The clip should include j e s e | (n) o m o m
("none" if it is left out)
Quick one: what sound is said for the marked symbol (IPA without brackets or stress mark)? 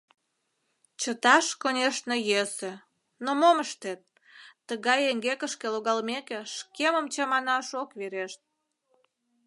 n